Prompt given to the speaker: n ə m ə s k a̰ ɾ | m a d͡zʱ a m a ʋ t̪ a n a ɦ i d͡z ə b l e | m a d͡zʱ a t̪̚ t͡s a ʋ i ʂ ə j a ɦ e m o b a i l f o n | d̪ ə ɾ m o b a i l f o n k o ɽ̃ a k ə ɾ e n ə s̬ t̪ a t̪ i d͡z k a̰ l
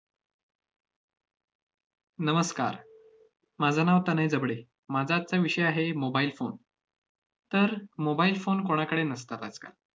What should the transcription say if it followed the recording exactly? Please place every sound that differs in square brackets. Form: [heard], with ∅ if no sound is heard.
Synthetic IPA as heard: n ə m ə s k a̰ ɾ | m a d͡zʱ a [n] a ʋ t̪ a n a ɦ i d͡z ə b [ɽ] e | m a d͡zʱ a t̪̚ t͡s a ʋ i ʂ ə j a ɦ e m o b a i l f o n | [t̪] ə ɾ m o b a i l f o n k o ɽ̃ a k ə [ɽ] e n ə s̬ t̪ a t̪ [a] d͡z k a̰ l